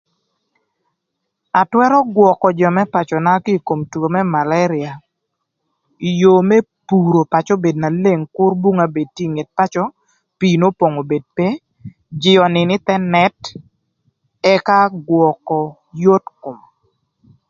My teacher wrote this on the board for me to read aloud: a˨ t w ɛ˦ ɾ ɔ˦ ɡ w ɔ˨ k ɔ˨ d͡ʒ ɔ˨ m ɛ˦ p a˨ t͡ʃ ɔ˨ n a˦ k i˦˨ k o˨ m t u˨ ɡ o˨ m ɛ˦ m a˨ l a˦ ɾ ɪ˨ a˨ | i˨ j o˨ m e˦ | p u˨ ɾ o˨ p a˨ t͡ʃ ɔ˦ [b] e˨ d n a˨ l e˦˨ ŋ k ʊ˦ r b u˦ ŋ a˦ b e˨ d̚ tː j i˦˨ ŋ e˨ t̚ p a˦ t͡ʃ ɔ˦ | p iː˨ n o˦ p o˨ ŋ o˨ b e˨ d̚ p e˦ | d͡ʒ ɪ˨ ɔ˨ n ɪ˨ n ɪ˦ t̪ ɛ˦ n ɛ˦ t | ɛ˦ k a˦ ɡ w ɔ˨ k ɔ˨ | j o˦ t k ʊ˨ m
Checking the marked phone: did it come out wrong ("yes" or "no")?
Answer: no